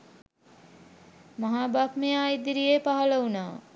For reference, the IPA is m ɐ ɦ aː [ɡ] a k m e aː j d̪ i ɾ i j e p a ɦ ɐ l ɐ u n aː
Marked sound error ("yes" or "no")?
yes